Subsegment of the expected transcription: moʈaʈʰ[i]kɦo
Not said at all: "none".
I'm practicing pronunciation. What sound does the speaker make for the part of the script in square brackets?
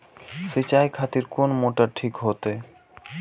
i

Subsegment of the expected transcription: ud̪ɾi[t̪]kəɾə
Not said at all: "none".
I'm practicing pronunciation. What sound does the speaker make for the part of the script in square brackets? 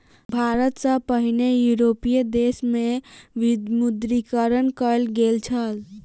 none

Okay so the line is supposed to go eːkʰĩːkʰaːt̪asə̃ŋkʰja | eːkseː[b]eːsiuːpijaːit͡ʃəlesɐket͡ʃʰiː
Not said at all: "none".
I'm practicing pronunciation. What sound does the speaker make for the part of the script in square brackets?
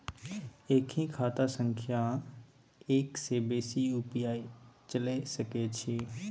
b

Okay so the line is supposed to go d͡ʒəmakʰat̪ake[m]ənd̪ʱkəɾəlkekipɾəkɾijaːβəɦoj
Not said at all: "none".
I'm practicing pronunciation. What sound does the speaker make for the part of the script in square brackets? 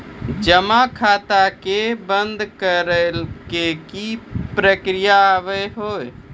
b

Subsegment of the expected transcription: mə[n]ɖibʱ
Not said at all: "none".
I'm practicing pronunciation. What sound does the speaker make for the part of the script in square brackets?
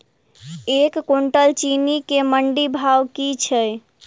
ɳ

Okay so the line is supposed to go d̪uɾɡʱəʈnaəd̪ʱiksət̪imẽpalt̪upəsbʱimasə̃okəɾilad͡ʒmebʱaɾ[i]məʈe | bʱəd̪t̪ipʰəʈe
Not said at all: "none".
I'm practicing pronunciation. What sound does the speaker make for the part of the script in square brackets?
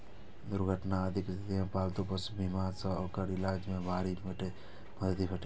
i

